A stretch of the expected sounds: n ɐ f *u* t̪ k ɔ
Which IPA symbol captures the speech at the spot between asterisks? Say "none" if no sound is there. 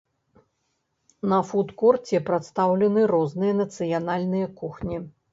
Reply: u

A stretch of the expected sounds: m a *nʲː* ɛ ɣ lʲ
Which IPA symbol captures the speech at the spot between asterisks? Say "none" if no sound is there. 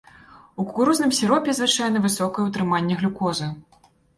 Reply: nʲː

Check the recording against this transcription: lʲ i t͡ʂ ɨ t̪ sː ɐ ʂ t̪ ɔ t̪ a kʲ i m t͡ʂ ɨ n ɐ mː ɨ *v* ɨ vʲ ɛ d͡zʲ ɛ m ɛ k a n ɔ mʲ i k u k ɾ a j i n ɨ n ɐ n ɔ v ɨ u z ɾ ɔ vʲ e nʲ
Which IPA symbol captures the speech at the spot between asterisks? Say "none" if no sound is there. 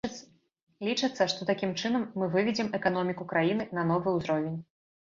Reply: v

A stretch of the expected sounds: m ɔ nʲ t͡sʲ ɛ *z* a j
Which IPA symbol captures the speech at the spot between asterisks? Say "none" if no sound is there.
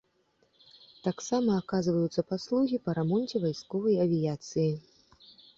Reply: v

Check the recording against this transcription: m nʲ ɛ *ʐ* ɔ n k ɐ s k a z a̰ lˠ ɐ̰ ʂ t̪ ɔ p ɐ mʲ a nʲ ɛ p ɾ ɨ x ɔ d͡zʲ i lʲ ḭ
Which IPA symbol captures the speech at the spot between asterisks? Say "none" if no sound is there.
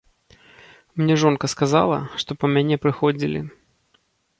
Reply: ʐ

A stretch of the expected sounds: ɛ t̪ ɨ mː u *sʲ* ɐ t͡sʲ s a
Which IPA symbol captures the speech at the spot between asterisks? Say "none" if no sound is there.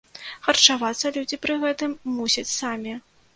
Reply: sʲ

